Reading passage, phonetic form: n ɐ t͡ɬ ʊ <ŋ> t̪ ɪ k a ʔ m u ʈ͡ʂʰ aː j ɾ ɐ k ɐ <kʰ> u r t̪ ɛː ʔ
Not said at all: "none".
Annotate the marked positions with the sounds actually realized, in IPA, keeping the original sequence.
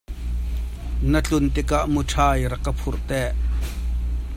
n, pʰ

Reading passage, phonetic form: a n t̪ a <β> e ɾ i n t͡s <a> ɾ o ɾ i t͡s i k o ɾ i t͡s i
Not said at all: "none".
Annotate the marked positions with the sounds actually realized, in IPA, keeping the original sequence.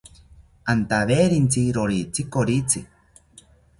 β, i

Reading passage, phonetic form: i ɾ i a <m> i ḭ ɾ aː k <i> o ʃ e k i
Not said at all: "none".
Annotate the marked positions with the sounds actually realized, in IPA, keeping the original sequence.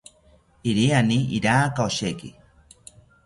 n, a

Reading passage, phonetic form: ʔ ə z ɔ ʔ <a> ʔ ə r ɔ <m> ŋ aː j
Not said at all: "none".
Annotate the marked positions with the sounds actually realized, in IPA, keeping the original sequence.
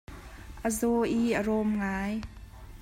i, m

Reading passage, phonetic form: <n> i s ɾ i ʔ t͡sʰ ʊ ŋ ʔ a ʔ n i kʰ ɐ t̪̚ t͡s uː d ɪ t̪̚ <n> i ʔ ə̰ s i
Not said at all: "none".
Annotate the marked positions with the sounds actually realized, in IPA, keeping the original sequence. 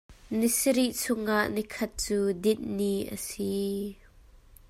n, n

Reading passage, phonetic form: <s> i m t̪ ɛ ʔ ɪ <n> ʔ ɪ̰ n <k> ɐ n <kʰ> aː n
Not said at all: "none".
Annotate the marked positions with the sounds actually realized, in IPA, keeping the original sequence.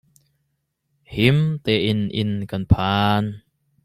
h, n, k, pʰ

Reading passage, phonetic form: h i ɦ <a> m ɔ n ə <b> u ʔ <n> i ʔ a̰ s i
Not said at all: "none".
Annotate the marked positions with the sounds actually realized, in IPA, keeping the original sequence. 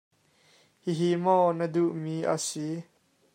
i, d, m

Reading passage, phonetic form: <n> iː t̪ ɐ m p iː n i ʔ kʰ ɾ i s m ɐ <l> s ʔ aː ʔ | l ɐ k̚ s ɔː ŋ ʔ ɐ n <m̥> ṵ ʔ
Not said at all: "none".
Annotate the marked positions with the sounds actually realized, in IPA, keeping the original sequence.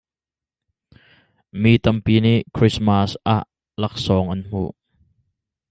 m, none, m̥

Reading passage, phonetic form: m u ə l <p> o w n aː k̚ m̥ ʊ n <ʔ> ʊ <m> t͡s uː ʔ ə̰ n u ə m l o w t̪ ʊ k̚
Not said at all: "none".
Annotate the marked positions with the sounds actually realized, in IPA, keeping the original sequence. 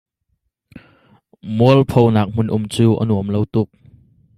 pʰ, ʔ, m

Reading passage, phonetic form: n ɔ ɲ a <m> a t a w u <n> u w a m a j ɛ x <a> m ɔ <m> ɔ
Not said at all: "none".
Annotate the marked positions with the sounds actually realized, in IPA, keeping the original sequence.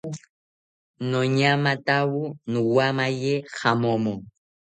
m, n, a, m

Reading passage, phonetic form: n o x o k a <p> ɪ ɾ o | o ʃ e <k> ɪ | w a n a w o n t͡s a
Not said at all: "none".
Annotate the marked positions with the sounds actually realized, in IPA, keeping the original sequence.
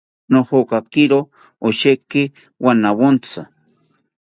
k, k

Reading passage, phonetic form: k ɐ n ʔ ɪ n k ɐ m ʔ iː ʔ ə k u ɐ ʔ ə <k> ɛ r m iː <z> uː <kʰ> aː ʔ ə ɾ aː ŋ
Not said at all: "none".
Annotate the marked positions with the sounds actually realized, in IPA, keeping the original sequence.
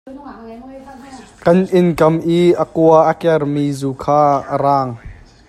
k, z, kʰ

